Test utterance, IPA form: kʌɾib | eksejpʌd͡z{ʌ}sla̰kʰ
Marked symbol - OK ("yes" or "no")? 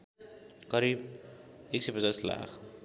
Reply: no